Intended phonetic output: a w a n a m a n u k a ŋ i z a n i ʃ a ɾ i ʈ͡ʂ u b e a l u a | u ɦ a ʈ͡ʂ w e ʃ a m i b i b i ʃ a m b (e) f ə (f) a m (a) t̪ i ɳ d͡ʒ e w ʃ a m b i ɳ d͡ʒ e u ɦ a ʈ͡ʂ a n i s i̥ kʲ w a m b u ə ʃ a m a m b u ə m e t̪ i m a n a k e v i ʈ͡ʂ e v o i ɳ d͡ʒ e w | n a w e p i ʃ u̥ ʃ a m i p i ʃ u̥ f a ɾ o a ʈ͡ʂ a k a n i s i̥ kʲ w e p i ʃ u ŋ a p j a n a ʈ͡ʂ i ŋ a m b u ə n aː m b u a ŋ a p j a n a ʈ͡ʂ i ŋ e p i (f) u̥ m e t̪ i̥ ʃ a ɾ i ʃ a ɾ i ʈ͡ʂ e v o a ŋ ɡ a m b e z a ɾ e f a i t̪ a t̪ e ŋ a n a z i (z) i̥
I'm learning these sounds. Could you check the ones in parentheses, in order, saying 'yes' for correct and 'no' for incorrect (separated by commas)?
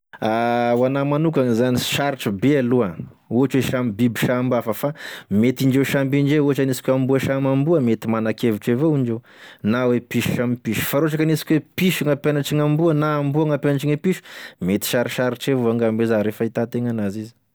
no, yes, no, no, yes